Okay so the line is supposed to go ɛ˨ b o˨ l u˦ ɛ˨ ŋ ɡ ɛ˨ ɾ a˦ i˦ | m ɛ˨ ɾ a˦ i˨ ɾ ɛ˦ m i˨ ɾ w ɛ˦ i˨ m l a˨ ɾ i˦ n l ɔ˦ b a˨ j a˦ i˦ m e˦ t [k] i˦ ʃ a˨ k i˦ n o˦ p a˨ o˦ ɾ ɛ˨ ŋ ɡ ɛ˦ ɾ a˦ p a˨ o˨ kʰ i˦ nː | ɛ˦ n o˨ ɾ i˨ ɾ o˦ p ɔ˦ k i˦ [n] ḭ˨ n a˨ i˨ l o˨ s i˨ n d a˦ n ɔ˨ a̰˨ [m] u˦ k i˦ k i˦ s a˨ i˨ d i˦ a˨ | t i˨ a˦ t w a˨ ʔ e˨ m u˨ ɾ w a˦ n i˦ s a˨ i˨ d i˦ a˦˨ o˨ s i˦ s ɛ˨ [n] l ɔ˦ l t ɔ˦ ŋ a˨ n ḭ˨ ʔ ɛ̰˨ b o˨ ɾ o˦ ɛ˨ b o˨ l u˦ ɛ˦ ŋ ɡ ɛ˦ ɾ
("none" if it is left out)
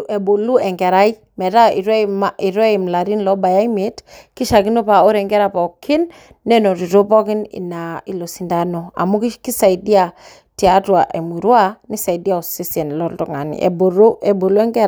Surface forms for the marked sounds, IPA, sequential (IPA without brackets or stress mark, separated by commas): k, n, m, n